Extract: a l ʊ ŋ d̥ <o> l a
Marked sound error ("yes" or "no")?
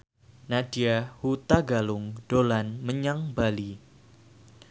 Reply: no